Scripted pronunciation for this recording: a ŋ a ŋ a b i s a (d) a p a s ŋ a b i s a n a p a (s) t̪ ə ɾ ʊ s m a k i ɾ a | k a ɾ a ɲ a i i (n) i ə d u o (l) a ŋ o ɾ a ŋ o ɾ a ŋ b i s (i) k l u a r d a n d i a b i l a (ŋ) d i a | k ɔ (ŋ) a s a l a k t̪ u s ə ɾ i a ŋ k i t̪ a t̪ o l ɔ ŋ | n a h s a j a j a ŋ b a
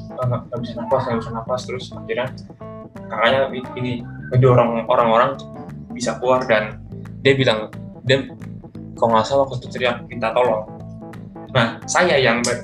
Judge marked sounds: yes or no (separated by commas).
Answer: no, yes, yes, no, no, yes, yes